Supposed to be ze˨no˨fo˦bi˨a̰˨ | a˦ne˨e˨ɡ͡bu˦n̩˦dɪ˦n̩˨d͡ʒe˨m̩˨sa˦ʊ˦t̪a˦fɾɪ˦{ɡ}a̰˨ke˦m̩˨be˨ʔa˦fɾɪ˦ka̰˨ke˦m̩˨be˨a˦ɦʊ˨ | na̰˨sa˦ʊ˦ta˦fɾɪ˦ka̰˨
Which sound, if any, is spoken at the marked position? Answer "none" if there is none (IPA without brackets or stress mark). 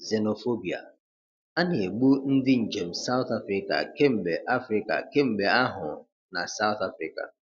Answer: k